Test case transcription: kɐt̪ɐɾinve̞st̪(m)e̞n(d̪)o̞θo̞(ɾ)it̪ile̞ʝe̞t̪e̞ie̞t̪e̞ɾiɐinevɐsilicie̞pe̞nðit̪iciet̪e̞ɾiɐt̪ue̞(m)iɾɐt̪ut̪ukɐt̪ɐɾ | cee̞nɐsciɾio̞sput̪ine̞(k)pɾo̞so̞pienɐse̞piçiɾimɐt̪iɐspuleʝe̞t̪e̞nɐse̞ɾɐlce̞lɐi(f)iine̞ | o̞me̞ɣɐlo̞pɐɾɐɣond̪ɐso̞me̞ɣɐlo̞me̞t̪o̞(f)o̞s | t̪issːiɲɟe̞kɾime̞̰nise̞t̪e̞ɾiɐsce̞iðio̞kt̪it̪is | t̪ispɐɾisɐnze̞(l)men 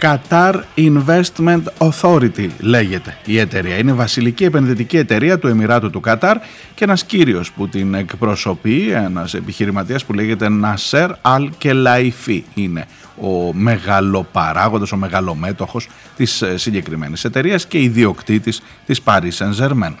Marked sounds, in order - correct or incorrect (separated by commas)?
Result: correct, incorrect, correct, correct, correct, correct, incorrect, incorrect